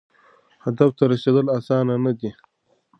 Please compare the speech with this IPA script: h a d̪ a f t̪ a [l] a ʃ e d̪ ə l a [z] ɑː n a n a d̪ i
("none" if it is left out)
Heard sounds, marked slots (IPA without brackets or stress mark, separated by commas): ɾ, s